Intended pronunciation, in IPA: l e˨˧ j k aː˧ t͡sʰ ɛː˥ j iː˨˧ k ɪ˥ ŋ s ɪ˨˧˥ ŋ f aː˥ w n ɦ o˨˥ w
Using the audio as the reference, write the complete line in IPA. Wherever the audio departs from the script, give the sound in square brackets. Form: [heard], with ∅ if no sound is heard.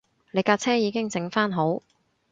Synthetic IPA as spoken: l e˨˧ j k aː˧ t͡sʰ ɛː˥ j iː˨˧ k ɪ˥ ŋ [t͡s] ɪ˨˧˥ ŋ f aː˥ [∅] n ɦ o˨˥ w